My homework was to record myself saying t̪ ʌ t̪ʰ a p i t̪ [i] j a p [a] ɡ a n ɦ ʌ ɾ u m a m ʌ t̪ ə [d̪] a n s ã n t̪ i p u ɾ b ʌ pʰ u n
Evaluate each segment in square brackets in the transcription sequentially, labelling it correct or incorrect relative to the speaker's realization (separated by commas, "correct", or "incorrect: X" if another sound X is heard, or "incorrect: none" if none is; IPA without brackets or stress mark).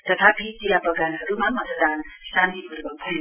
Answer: correct, incorrect: ʌ, correct